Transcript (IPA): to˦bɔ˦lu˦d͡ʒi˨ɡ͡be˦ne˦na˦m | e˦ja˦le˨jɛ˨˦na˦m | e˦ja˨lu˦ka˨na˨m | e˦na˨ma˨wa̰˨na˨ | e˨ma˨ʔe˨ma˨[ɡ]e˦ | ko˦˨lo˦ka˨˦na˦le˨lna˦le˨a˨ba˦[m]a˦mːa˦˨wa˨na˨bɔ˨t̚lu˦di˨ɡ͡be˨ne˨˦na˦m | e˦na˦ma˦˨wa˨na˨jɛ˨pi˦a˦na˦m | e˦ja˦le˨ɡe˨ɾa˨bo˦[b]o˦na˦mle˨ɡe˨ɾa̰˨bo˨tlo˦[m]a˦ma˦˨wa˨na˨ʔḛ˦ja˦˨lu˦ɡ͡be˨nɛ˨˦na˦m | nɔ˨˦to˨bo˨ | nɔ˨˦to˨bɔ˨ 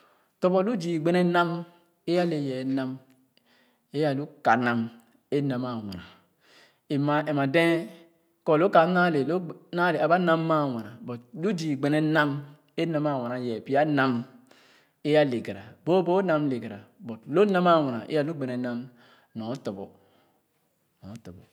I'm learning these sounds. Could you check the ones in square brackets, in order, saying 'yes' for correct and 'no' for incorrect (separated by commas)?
no, no, yes, no